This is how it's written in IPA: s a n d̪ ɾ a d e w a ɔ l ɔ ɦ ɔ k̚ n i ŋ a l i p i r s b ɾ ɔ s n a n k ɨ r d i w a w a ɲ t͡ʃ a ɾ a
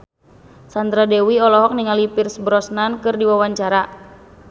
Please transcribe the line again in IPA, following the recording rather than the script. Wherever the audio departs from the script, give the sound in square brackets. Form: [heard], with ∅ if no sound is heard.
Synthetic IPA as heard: s a n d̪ ɾ a d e w [i] ɔ l ɔ ɦ ɔ k̚ n i ŋ a l i p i r s b ɾ ɔ s n a n k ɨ r d i w a w a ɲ t͡ʃ a ɾ a